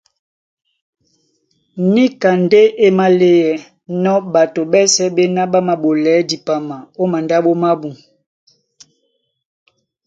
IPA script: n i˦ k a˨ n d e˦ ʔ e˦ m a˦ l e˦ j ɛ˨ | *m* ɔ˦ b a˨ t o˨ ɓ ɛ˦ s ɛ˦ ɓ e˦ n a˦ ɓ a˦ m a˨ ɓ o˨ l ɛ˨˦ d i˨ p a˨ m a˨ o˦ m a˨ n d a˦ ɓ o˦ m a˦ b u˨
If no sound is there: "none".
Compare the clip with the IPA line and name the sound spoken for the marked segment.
n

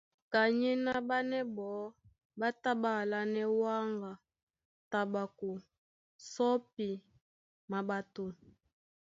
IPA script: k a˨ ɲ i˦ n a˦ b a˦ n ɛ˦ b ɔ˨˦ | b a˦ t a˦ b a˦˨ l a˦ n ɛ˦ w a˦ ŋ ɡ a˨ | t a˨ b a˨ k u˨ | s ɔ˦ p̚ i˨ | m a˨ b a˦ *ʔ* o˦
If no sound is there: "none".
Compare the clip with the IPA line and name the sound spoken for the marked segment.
t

